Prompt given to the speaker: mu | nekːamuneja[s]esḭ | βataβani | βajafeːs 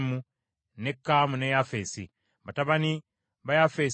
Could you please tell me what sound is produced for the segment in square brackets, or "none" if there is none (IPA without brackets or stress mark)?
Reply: f